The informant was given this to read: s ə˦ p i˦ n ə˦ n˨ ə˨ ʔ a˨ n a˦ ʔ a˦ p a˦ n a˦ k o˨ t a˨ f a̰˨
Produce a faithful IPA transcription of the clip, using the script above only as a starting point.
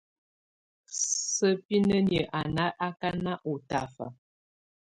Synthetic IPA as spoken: s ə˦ p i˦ n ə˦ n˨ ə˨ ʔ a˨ n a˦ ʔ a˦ k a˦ n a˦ ʔ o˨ t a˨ f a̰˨